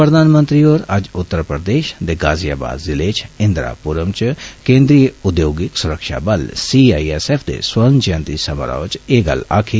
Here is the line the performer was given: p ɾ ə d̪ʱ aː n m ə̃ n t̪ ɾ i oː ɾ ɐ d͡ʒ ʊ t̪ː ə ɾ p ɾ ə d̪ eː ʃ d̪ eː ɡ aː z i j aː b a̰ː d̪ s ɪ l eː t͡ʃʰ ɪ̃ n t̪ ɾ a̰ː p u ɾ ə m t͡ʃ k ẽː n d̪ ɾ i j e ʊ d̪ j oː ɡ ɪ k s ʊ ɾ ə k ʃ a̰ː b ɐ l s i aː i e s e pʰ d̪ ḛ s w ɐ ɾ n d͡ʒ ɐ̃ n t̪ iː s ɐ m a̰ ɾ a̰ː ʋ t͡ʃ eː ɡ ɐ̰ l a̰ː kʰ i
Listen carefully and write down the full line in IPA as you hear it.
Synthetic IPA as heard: p ɾ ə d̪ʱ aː n m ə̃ n t̪ ɾ i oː ɾ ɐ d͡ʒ ʊ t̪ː ə ɾ p ɾ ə d̪ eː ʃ d̪ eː ɡ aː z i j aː b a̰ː d̪ z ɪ l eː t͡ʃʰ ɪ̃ n d̪ ɾ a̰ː p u ɾ ə m t͡ʃ k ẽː n d̪ ɾ i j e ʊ d̪ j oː ɡ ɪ k s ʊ ɾ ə k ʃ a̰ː b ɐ l s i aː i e s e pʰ d̪ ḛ s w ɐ ɾ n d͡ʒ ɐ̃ n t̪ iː s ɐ m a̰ ɾ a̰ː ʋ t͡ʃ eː ɡ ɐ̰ l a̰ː kʰ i